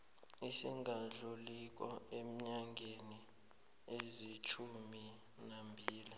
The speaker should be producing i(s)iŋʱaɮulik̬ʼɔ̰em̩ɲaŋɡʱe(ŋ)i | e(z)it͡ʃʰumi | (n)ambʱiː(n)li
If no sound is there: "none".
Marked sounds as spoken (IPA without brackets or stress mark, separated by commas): s, n, z, n, none